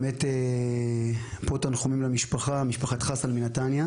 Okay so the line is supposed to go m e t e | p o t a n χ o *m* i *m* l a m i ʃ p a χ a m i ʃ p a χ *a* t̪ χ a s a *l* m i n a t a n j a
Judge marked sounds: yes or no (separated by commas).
yes, yes, yes, yes